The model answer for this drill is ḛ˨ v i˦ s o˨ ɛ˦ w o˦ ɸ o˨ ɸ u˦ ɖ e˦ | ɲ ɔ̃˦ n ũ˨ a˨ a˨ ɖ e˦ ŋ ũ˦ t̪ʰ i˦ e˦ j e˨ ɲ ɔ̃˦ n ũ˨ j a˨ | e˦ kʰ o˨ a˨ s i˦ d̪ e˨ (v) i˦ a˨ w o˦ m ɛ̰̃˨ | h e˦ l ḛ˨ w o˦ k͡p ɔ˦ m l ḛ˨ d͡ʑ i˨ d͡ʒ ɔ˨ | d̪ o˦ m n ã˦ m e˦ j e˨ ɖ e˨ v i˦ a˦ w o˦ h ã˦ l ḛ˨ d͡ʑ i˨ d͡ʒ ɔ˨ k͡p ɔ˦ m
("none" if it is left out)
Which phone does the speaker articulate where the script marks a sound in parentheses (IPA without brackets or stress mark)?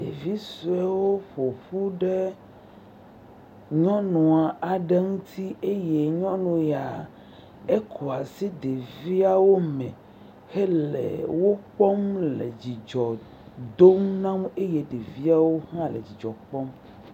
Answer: v